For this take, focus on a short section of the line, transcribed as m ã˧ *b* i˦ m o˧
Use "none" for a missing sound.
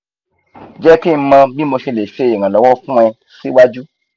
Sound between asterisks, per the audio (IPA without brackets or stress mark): b